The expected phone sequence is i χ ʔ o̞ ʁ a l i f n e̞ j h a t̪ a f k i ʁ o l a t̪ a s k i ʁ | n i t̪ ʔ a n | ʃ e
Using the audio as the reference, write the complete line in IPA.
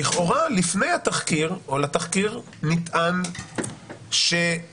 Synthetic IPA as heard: i χ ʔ o̞ ʁ a l i f n e̞ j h a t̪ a χ k i ʁ o l a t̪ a χ k i ʁ | n i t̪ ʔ a n | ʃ e